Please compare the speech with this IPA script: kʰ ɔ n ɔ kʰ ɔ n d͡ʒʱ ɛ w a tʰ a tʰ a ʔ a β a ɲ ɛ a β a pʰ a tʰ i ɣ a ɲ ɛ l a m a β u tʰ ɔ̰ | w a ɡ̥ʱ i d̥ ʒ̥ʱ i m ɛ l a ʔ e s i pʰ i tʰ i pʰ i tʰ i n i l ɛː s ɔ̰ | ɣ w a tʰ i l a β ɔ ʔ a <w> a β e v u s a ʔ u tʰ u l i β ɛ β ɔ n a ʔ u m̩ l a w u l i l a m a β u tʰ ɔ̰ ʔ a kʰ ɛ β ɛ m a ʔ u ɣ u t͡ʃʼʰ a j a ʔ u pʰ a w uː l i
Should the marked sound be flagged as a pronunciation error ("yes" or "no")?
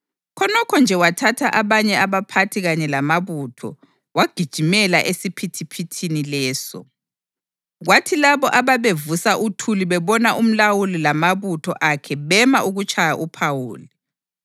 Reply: yes